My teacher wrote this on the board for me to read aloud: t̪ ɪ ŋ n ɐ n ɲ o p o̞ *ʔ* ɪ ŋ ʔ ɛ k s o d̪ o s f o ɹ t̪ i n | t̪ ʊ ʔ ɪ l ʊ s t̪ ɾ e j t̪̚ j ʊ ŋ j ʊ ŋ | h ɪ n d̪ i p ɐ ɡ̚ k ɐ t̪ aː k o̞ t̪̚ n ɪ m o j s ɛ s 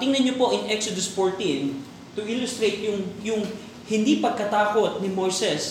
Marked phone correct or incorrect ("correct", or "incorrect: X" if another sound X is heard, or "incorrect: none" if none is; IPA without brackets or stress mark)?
correct